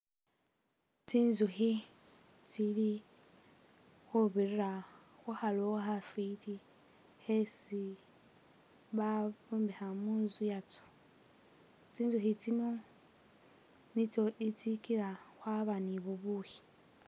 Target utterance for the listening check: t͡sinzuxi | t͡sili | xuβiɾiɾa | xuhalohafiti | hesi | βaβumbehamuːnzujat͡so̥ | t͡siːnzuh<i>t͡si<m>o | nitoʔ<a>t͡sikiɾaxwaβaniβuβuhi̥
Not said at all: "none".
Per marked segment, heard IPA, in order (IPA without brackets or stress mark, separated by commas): i, n, i